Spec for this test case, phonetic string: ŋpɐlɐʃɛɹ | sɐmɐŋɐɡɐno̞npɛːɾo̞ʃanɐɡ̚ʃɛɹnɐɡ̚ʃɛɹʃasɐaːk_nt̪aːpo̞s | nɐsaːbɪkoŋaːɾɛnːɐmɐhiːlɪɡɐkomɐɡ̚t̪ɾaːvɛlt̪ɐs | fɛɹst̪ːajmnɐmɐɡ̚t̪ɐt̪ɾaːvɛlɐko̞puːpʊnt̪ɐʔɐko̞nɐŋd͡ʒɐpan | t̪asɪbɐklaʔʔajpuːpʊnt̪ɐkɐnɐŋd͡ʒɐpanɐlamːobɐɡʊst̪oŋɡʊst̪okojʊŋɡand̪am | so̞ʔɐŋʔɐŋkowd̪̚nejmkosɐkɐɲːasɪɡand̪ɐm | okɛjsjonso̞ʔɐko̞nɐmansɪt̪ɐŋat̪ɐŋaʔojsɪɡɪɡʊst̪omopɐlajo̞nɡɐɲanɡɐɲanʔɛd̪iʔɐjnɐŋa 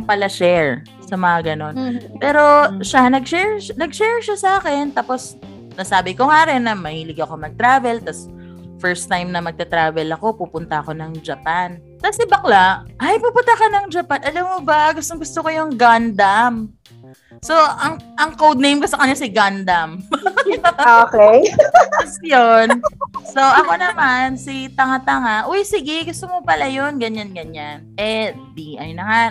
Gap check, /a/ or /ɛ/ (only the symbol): ɛ